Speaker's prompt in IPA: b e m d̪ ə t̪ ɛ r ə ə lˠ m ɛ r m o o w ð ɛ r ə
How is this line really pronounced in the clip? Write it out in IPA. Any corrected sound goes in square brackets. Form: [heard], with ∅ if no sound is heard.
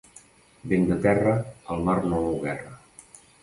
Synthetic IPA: b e [n] d̪ ə t̪ ɛ r ə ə lˠ m [a] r [n] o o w [ɣ] ɛ r ə